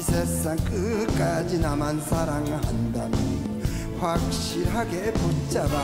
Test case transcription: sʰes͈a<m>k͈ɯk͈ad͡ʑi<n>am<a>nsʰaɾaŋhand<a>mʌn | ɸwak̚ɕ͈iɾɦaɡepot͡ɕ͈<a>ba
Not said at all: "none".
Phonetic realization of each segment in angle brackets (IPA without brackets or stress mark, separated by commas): ŋ, n, a, a, a